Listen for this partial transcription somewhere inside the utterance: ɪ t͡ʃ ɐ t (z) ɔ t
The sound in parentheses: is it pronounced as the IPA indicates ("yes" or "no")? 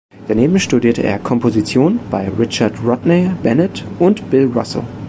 no